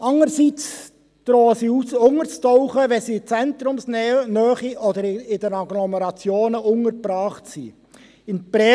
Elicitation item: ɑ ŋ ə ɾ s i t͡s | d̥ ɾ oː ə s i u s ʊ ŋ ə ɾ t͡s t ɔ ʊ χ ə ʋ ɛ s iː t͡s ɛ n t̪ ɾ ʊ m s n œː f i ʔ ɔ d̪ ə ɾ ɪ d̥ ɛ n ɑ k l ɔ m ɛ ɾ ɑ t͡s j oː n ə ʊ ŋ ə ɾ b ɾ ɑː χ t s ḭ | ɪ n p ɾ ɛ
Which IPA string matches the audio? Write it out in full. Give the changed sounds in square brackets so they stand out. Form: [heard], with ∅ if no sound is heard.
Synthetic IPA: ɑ ŋ ə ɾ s i t͡s | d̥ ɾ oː ə s i u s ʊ ŋ ə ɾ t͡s t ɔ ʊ χ ə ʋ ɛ s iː t͡s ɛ n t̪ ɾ ʊ m s n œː [χ] i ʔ ɔ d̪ ə ɾ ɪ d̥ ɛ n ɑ [ɡ] l ɔ m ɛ ɾ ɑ t͡s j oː n ə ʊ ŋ ə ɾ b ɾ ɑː χ t s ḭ | ɪ n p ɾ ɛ